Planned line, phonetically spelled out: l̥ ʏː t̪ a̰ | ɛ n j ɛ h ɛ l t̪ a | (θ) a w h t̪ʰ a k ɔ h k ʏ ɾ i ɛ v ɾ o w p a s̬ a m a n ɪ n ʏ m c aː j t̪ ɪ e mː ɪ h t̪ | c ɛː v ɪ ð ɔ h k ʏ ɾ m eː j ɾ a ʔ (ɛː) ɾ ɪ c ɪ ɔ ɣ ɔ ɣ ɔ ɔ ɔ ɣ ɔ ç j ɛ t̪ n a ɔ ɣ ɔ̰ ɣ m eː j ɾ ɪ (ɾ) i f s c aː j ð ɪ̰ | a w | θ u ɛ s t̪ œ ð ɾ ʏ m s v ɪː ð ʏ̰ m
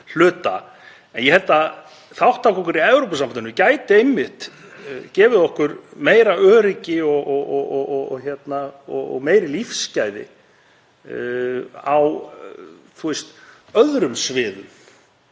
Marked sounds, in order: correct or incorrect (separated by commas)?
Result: correct, incorrect, incorrect